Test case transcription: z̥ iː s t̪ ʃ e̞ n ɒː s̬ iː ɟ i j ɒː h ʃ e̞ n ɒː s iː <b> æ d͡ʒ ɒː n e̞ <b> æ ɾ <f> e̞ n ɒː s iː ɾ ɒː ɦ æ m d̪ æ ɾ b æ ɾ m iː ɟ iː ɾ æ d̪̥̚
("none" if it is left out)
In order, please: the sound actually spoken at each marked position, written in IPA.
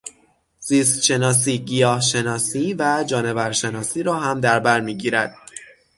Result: v, v, ʃ

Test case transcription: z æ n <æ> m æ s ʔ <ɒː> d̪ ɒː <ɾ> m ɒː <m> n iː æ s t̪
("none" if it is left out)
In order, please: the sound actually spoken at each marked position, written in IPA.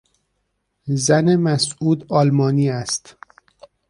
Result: e, uː, l, none

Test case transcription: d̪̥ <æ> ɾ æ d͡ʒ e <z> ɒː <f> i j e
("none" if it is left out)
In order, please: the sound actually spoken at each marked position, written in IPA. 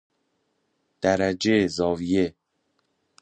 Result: æ, z, v

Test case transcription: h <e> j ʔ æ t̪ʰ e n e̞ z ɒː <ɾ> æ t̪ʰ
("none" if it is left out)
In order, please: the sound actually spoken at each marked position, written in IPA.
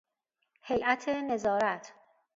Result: e, ɾ

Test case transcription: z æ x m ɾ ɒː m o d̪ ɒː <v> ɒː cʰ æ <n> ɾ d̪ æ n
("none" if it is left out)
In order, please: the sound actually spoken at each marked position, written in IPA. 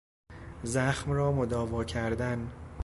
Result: v, none

